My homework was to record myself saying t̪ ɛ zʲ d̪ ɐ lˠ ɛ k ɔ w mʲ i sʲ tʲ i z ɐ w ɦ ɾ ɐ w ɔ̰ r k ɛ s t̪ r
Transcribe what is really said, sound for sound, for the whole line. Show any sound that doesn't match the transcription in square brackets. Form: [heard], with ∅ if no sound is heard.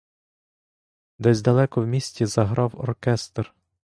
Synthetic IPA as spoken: [d̪] ɛ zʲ d̪ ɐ lˠ ɛ k ɔ w mʲ i sʲ tʲ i z ɐ [∅] ɦ ɾ [ɑ] w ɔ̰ r k ɛ s t̪ r